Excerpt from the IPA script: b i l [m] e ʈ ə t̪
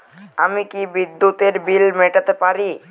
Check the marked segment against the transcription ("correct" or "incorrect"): correct